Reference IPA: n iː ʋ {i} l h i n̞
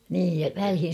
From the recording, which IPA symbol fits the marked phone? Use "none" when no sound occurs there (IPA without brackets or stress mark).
æ